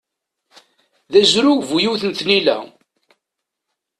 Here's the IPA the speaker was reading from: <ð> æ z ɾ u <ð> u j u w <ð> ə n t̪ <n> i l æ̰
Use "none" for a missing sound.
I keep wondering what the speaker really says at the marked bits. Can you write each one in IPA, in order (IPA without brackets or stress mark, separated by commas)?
ð, v, θ, n